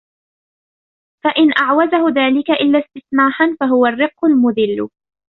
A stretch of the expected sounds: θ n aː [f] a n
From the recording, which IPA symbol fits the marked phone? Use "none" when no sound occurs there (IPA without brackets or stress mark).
ħ